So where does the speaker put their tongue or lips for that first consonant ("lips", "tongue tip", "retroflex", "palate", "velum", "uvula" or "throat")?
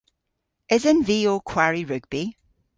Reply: tongue tip